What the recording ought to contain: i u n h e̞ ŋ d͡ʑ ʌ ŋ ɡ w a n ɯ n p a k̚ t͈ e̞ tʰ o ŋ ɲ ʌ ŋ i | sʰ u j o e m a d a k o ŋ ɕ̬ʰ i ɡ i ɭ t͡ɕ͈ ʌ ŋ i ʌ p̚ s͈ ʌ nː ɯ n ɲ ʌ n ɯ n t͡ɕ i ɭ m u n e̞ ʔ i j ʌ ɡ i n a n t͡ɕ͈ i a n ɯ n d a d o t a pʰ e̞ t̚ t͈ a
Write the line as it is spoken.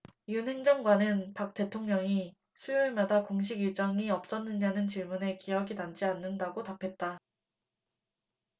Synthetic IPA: i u n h e̞ ŋ d͡ʑ ʌ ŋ ɡ w a n ɯ n p a k̚ t͈ e̞ tʰ o ŋ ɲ ʌ ŋ i | sʰ u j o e m a d a k o ŋ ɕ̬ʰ i ɡ i ɭ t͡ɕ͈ ʌ ŋ i ʌ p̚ s͈ ʌ nː ɯ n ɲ a n ɯ n t͡ɕ i ɭ m u n e̞ k i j ʌ ɡ i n a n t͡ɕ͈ i a nː ɯ n d a ɡ o t a pʰ e̞ t̚ t͈ a